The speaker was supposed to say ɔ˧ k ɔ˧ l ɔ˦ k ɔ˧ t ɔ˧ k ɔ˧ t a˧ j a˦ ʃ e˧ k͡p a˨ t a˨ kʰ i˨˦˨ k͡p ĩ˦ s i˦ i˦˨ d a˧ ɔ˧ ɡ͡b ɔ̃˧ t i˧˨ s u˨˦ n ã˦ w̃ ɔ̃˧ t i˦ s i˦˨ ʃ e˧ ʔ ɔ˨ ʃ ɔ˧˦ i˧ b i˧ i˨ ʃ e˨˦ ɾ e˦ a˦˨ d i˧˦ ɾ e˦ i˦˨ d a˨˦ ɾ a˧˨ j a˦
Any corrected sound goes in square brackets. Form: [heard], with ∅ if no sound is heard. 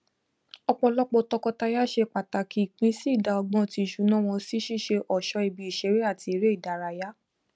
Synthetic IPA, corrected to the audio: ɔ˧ [k͡p] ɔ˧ l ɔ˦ [k͡p] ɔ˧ t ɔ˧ k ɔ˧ t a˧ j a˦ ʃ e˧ k͡p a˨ t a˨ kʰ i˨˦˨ k͡p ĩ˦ s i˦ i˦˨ d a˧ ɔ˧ ɡ͡b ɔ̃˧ t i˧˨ [ʃ] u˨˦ n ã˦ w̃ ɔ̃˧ [s] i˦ [ʃ] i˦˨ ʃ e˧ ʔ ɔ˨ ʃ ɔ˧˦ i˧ b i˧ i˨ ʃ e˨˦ ɾ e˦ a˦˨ [t] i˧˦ ɾ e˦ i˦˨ d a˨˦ ɾ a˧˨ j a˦